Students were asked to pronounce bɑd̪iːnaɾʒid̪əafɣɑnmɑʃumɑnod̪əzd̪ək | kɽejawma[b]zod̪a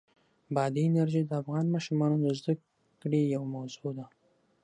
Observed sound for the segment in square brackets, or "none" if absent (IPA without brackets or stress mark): w